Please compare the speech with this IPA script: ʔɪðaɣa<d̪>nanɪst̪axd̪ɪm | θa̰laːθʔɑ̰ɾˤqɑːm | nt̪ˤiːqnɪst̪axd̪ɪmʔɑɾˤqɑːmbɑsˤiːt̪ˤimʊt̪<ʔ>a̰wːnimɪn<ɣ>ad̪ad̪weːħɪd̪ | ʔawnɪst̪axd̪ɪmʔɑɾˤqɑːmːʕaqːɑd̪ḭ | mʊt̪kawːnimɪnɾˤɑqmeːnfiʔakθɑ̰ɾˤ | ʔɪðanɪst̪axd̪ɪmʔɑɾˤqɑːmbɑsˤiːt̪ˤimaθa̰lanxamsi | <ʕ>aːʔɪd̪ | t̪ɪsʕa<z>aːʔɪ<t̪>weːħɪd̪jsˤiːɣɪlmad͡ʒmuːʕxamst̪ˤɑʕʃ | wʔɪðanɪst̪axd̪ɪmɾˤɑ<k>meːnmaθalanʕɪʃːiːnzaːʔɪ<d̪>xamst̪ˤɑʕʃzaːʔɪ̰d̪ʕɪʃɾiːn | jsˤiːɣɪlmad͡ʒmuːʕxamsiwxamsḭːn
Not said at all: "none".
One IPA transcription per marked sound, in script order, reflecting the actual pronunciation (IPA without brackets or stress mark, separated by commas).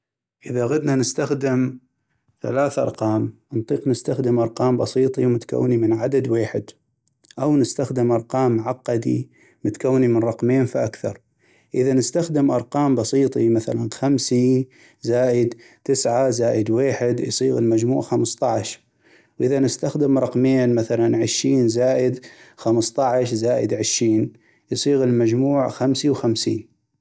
d̪, k, ʕ, z, z, d̪, q, d̪